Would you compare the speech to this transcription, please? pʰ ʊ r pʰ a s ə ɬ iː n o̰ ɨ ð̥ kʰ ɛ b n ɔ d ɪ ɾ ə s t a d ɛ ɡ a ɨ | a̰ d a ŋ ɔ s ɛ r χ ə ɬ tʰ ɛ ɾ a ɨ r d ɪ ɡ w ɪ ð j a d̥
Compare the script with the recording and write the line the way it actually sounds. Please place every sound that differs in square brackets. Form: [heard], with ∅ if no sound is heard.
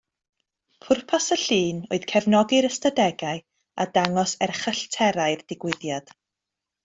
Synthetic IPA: pʰ ʊ r pʰ a s ə ɬ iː n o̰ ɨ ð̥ kʰ ɛ [v] n ɔ [ɡ] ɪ ɾ ə s t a d ɛ ɡ a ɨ | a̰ d a ŋ ɔ s ɛ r χ ə ɬ tʰ ɛ ɾ a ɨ r d ɪ ɡ w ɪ ð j a d̥